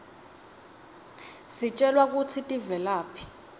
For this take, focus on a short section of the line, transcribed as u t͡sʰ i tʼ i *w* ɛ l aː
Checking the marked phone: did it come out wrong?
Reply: yes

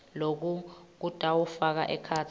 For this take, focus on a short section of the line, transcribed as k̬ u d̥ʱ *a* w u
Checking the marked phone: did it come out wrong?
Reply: no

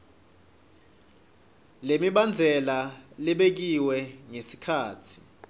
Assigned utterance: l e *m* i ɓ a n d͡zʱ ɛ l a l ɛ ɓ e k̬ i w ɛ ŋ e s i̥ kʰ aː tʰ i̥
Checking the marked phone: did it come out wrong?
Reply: no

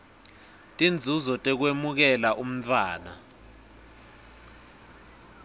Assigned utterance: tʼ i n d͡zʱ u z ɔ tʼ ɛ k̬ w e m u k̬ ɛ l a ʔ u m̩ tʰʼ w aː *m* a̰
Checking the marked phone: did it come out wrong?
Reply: yes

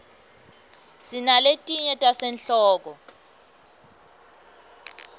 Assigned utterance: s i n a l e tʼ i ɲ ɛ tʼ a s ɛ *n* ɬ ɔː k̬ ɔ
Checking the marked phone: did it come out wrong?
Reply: no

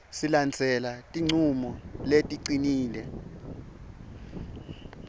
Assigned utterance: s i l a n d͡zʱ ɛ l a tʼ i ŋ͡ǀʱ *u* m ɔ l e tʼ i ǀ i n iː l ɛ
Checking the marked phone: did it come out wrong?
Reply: no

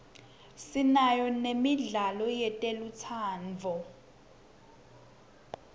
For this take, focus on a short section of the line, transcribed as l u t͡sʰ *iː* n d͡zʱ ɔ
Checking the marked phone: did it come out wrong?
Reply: yes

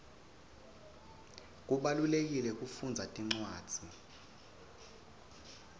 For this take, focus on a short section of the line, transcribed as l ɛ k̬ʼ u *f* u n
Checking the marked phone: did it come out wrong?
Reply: no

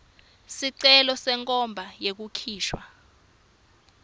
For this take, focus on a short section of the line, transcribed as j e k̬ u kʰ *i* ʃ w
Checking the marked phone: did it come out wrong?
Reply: yes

